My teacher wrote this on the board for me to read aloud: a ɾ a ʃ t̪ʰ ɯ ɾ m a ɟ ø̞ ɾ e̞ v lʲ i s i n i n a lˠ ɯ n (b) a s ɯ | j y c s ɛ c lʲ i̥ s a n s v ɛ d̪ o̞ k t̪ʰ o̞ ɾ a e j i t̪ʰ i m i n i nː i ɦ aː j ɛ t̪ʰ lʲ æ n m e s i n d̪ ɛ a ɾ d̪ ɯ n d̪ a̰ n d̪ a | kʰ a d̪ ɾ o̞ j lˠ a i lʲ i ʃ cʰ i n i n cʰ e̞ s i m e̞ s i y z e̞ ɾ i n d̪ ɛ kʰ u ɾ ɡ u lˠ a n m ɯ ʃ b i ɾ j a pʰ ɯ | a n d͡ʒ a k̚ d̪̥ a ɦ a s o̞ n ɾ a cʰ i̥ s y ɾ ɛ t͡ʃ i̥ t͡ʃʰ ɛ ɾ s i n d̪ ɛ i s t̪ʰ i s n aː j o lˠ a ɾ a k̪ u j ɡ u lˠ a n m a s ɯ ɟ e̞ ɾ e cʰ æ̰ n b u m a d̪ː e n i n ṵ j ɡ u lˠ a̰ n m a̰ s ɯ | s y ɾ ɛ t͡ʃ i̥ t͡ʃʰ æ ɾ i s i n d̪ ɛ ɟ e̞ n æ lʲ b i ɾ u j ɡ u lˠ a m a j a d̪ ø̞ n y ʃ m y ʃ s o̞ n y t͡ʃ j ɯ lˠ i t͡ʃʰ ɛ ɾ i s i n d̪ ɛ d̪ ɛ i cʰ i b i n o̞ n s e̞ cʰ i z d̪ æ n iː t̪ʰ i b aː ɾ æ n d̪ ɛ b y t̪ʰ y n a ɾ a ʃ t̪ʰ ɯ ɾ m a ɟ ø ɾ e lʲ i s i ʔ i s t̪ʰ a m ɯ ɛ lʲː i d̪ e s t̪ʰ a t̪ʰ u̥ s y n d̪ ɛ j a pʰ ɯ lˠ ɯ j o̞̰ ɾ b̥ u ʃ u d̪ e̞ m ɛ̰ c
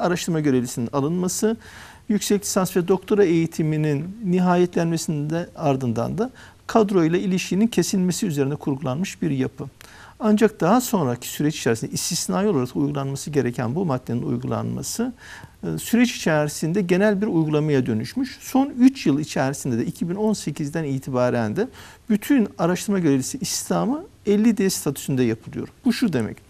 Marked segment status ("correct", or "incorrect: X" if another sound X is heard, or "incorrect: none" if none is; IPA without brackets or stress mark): incorrect: m